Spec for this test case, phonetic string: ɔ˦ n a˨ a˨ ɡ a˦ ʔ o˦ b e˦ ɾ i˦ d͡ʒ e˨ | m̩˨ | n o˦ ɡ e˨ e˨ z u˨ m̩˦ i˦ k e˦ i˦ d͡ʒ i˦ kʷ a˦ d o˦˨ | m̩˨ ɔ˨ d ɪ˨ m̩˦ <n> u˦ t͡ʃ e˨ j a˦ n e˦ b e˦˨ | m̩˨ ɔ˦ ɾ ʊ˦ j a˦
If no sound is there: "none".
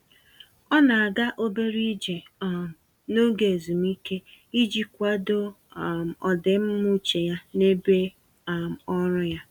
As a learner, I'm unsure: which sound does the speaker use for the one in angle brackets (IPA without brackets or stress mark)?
m